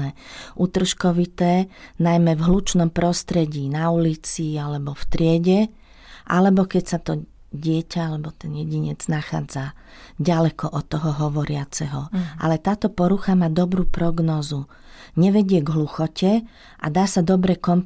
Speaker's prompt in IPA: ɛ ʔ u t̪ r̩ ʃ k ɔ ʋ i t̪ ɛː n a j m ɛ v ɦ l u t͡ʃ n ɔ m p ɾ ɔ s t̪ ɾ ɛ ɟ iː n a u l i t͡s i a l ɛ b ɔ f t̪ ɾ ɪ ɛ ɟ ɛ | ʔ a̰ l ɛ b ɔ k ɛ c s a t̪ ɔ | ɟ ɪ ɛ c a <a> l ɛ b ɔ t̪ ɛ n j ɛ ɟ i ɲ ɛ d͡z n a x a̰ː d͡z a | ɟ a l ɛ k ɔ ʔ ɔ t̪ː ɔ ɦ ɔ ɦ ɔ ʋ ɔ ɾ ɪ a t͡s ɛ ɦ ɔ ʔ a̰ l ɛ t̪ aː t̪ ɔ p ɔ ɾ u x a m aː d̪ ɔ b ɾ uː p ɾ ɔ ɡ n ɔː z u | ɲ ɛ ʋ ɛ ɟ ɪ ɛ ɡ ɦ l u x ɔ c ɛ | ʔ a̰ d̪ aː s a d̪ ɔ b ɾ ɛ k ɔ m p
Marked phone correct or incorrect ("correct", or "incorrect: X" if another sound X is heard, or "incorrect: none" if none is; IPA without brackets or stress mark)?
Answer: correct